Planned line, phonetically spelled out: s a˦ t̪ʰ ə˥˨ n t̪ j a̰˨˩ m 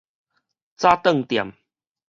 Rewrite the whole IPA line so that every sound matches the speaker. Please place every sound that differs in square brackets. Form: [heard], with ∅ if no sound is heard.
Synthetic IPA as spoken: [t͡s] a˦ [t̪] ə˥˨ [ŋ] t̪ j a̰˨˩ m